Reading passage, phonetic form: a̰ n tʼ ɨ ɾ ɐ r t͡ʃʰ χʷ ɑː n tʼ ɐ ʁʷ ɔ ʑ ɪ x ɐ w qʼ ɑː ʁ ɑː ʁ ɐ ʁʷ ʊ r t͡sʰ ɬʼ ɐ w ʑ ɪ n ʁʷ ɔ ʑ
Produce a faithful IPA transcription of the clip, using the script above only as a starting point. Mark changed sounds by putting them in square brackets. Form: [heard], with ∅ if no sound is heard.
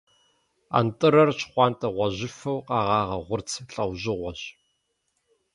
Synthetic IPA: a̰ n tʼ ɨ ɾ ɐ r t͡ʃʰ χʷ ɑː n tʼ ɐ ʁʷ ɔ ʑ ɪ [f] ɐ w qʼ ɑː ʁ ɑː ʁ ɐ ʁʷ ʊ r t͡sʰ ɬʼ ɐ w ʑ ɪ [∅] ʁʷ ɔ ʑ

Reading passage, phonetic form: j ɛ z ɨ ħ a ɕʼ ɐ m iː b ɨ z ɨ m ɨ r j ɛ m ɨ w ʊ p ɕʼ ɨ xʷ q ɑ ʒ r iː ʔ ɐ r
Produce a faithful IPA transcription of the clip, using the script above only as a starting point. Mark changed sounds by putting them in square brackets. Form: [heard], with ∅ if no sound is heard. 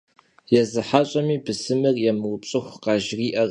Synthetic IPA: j ɛ z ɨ ħ a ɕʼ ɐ m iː b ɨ [s] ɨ m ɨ r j ɛ m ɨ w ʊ p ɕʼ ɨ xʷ q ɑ ʒ r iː ʔ ɐ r

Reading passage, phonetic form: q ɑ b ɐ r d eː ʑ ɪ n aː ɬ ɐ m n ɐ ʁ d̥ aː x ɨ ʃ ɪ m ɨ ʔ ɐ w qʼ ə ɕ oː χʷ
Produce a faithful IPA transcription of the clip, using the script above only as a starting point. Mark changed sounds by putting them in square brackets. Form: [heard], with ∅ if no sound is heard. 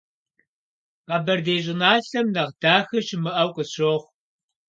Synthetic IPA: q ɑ b ɐ r d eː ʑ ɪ n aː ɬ ɐ m n ɐ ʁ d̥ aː x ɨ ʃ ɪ m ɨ ʔ ɐ w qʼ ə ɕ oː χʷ

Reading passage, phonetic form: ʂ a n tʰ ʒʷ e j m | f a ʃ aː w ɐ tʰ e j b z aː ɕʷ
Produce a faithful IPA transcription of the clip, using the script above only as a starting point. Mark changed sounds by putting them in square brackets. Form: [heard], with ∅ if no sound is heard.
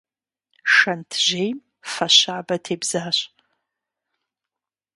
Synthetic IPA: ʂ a n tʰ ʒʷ e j m | f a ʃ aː [b] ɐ tʰ e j b z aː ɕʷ

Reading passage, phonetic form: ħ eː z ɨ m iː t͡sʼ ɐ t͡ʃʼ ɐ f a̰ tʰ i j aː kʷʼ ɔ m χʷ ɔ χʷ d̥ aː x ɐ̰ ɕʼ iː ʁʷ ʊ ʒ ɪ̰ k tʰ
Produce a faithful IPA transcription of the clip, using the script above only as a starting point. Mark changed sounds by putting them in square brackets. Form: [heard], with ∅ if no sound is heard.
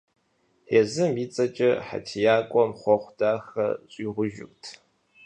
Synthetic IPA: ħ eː z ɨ m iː t͡sʼ ɐ t͡ʃʼ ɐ [ħ] a̰ tʰ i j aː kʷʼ ɔ m χʷ ɔ χʷ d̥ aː x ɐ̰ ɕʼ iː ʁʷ ʊ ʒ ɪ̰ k tʰ

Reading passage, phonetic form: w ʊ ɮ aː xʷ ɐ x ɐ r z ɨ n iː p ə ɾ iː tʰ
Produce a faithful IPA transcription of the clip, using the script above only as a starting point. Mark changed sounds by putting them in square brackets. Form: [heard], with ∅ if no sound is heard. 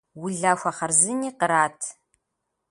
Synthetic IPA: w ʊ ɮ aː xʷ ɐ [χ] ɐ r z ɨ n iː [q] ə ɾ [aː] tʰ

